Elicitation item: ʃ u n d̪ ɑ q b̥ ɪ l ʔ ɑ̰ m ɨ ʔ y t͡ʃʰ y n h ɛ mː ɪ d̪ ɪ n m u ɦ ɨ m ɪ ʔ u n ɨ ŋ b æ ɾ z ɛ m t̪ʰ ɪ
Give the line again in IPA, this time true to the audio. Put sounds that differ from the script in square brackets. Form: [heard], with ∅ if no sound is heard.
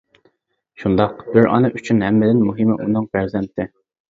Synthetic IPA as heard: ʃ u n d̪ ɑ q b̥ ɪ [ɾ] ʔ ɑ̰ [n] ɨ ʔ y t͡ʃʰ y n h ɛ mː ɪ d̪ ɪ n m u ɦ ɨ m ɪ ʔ u n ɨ ŋ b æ ɾ z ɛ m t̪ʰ ɪ